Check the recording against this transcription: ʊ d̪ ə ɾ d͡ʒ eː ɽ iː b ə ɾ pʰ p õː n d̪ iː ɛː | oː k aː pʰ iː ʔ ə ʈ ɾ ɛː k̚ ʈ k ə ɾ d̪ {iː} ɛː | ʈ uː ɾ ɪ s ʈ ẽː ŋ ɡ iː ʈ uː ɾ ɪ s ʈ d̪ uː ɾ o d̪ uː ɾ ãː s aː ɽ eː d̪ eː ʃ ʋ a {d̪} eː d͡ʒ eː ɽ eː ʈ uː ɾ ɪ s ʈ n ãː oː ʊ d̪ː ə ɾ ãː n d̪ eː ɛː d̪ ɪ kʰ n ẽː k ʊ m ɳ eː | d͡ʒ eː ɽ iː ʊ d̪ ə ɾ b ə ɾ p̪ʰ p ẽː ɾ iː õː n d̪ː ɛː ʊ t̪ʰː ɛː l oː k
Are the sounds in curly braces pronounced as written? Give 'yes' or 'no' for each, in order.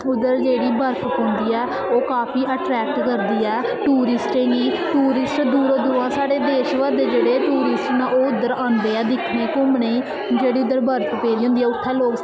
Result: yes, yes

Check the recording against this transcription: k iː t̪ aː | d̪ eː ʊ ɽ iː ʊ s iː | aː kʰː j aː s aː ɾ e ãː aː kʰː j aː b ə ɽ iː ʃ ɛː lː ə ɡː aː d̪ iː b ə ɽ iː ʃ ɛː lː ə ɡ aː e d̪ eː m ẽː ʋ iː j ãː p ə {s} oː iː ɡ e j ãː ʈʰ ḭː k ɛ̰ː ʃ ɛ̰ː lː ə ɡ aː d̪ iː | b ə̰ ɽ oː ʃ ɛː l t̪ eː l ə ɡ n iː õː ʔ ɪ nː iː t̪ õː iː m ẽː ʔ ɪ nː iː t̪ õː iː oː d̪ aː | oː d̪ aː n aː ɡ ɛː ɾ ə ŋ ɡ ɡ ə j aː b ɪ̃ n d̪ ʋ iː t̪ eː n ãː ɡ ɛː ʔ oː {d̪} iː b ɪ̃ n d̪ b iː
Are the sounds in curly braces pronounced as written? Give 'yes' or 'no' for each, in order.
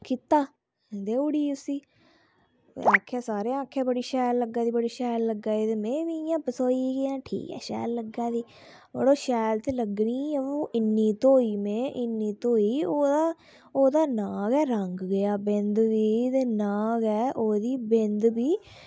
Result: yes, yes

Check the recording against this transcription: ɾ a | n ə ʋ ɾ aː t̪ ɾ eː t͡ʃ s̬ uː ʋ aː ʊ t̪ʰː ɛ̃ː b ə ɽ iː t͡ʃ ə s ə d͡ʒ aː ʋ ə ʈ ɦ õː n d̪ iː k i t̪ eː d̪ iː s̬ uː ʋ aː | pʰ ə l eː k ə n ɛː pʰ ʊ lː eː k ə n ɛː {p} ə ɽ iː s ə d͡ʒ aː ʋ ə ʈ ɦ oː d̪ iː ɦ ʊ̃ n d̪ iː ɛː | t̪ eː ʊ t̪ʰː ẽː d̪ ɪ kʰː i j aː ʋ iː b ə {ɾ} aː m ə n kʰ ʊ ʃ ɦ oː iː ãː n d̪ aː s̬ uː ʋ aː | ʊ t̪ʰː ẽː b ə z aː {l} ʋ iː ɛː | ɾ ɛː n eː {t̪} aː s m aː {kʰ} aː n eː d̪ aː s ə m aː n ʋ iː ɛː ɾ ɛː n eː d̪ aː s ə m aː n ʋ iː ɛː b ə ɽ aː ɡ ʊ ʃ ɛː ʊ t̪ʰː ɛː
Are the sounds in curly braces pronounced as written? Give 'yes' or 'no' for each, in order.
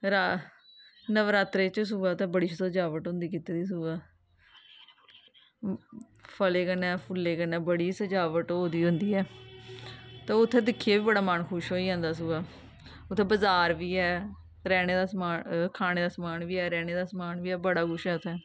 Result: no, no, no, no, yes

